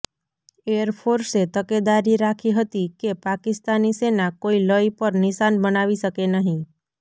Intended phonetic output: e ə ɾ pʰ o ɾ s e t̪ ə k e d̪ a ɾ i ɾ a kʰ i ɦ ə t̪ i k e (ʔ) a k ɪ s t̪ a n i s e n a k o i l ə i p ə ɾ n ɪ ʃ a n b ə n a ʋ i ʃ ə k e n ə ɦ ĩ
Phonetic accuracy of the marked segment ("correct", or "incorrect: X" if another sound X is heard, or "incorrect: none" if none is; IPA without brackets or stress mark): incorrect: p